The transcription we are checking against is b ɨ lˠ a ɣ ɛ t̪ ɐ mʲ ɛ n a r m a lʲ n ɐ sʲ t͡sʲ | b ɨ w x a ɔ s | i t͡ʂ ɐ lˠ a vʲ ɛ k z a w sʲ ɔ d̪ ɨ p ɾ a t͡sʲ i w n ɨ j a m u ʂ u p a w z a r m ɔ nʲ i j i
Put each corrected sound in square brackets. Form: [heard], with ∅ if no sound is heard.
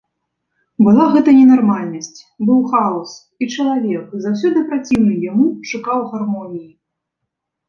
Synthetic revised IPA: b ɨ lˠ a ɣ ɛ t̪ ɐ [nʲ] ɛ n a r m a lʲ n ɐ sʲ t͡sʲ | b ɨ w x a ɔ s | i t͡ʂ ɐ lˠ a vʲ ɛ k z a w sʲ ɔ d̪ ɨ p ɾ a t͡sʲ i w n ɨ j a m u ʂ u [k] a w [ɣ] a r m ɔ nʲ i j i